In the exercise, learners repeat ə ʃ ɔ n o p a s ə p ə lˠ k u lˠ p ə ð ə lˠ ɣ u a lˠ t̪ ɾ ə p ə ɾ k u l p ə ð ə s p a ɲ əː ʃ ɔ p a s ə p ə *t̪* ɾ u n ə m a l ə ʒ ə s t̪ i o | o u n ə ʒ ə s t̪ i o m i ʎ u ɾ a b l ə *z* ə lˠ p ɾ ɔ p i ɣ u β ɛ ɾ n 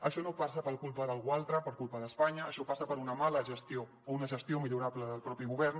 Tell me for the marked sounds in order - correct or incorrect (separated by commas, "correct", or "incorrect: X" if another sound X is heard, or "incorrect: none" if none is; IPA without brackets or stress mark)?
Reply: incorrect: none, incorrect: ð